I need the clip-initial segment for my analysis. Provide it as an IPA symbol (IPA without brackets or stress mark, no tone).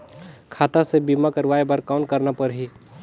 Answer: kʰ